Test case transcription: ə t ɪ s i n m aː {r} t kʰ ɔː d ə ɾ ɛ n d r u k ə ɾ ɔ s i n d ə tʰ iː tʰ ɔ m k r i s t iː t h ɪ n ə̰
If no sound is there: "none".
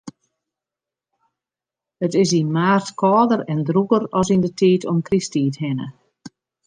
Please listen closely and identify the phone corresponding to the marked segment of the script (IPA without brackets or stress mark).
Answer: r